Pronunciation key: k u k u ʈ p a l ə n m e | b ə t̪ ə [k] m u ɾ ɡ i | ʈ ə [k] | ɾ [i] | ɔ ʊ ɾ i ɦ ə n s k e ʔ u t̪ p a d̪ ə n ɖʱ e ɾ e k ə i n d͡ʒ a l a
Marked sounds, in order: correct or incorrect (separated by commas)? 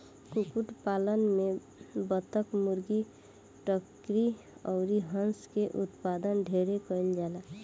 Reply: correct, correct, correct